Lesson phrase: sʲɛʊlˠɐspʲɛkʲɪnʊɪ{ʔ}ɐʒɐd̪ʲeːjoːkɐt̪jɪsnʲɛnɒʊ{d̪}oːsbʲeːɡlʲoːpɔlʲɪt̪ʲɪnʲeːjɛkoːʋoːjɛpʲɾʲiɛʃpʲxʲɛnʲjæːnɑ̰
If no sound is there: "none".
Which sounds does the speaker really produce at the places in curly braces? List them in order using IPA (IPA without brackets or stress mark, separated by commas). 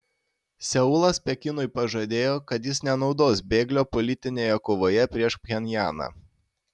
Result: p, d̪